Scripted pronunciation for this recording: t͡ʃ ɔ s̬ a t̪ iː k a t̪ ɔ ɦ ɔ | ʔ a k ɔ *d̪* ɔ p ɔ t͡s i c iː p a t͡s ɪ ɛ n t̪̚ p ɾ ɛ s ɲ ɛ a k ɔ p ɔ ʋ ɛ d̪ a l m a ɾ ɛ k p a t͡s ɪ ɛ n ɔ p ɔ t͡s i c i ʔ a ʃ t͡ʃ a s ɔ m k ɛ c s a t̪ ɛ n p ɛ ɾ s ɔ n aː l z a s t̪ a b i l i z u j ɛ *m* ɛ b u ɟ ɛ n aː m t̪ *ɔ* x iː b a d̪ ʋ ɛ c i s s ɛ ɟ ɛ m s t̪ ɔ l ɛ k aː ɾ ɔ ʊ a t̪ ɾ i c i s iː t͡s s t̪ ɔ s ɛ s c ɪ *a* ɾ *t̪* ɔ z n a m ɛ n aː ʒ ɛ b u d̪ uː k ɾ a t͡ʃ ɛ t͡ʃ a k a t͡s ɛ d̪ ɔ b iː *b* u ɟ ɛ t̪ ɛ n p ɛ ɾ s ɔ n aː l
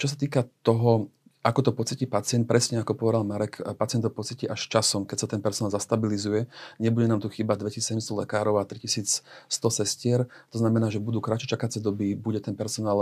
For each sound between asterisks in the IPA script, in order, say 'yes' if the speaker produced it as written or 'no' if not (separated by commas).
no, no, no, no, yes, yes